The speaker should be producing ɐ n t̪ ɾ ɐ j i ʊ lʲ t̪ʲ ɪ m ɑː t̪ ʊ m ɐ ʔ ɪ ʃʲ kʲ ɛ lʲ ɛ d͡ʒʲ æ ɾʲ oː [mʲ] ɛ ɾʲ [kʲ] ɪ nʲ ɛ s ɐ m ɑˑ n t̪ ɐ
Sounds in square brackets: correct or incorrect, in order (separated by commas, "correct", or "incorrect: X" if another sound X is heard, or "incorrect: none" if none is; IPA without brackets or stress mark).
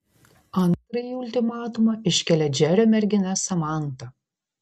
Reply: correct, incorrect: ɡʲ